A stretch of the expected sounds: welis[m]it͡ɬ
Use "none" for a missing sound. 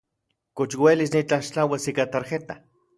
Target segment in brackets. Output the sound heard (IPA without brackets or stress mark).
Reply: n